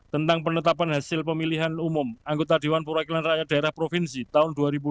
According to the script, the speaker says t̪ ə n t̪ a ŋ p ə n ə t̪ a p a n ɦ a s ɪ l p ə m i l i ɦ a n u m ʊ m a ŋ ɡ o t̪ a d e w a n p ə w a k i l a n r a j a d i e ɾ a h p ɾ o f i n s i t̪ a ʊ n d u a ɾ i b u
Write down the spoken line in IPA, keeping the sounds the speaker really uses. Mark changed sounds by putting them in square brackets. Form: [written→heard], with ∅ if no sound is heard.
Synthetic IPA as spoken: t̪ ə n t̪ a ŋ p ə n ə t̪ a p a n ɦ a s ɪ l p ə m i l i ɦ a n u m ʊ m a ŋ ɡ o t̪ a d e w a n p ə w a k i l a n r a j a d [i→a] e ɾ a h p ɾ o f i n s i t̪ a ʊ n d u a ɾ i b u